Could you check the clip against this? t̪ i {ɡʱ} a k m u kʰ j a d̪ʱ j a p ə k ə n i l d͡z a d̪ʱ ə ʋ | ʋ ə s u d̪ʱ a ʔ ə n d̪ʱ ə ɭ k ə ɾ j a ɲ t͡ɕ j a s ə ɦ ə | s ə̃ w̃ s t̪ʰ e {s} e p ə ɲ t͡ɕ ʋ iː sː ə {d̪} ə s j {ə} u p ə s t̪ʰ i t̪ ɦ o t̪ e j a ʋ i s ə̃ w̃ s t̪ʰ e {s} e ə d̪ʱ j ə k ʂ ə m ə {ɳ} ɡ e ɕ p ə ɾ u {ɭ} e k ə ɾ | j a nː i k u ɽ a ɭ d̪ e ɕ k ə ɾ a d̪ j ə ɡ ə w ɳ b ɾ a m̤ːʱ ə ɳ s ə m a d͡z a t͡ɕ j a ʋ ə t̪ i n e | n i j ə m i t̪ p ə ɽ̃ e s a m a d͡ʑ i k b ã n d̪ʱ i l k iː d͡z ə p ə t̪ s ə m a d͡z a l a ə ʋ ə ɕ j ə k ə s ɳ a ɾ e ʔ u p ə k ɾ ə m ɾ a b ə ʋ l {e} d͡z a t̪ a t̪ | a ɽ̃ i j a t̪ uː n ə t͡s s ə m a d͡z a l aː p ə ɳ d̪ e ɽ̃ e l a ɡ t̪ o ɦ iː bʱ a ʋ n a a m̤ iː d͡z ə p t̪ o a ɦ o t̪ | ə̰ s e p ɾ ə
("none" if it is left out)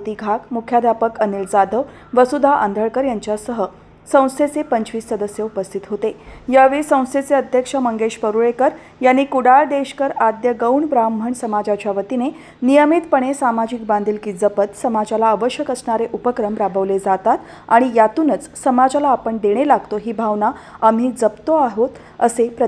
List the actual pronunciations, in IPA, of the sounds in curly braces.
ɡʱ, t͡s, d̪, ə, t͡s, ŋ, ɭ, e

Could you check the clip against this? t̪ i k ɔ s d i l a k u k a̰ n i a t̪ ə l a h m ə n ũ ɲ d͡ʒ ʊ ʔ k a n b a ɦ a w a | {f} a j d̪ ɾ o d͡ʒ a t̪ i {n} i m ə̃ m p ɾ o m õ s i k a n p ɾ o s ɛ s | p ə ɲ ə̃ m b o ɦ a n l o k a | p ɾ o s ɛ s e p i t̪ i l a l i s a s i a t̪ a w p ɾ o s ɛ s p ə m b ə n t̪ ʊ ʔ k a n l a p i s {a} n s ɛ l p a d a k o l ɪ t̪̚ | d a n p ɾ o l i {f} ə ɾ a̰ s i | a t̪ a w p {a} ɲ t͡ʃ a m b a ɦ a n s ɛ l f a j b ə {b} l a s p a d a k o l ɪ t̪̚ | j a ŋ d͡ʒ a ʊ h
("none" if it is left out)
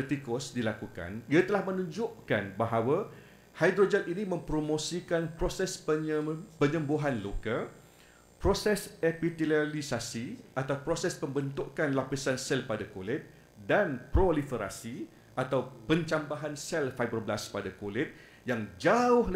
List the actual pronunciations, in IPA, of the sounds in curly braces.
h, n, a, f, ə, b

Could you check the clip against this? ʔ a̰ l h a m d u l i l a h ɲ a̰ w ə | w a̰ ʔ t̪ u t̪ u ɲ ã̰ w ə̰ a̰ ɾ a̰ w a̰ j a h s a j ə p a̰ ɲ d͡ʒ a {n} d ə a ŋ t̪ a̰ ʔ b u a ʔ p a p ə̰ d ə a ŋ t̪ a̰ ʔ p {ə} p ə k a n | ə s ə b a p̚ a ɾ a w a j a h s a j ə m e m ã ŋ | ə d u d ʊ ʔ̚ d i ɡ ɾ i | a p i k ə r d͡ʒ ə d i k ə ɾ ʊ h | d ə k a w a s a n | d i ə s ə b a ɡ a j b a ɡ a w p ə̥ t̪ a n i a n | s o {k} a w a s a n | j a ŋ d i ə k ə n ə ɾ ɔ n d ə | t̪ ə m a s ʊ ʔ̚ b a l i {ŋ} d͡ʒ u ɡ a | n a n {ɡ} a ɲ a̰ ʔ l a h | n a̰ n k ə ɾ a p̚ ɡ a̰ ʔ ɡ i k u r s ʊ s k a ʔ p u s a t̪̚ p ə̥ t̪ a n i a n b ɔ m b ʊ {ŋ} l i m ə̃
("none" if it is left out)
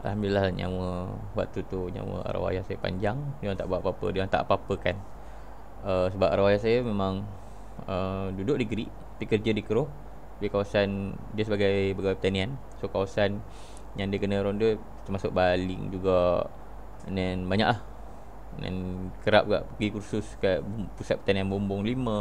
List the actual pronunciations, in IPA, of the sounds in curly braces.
ŋ, a, k, ŋ, b, ŋ

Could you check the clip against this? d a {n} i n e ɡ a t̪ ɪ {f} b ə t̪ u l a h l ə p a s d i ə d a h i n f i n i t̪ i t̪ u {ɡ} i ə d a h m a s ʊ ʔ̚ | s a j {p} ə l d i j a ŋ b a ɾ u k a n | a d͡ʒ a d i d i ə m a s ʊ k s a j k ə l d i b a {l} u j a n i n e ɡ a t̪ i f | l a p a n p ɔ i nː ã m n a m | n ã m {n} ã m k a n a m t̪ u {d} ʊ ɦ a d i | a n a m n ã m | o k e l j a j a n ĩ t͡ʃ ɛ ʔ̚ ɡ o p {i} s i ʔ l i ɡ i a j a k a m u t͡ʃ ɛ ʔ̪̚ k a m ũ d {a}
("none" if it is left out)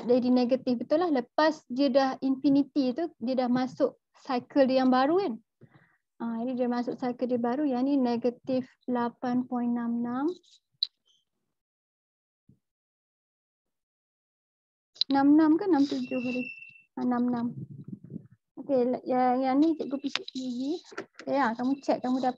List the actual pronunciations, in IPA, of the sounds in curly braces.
d, f, d, k, ɾ, n, d͡ʒ, i, a

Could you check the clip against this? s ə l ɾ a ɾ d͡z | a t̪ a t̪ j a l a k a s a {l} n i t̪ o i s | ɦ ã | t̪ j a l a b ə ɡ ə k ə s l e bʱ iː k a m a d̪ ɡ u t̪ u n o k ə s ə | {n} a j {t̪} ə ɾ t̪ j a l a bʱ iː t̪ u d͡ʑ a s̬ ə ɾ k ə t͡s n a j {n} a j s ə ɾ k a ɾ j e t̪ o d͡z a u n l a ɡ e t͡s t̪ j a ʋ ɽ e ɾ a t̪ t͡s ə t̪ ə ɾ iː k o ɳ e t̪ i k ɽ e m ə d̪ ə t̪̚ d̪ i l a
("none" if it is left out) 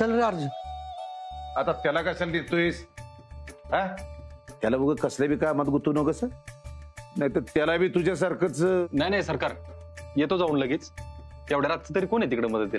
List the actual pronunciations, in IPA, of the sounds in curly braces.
l, n, t̪, n

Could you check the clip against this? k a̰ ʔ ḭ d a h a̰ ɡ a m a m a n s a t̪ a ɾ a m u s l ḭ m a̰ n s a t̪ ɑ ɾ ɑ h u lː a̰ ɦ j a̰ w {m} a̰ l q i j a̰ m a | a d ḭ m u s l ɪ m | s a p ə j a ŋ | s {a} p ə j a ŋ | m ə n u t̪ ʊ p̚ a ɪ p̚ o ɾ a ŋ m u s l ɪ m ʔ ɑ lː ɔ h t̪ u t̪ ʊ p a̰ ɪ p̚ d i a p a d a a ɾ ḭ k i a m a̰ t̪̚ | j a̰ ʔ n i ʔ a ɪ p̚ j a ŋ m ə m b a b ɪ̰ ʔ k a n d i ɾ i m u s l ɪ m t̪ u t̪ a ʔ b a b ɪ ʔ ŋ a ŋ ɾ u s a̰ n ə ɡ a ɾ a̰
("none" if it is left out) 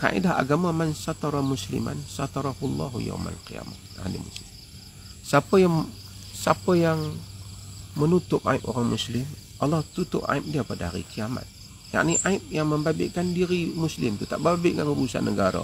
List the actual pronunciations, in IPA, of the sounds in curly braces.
m, a

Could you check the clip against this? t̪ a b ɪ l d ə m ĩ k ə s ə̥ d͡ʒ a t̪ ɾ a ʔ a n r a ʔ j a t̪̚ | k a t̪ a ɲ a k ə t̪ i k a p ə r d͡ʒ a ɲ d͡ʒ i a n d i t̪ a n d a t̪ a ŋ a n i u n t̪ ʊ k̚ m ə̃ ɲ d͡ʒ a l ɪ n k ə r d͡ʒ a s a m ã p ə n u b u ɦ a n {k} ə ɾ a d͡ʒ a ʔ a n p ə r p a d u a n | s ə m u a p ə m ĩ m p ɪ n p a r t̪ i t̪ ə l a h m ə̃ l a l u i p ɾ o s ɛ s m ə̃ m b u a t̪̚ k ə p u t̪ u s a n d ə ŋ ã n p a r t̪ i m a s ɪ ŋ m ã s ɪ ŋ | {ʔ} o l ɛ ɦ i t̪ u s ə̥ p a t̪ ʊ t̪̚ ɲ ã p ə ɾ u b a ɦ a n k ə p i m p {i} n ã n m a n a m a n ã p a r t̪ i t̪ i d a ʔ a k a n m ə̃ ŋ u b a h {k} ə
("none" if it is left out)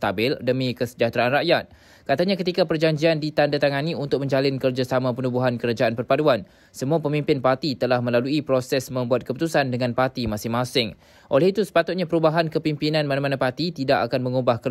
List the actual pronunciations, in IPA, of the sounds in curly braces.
k, ʔ, i, k

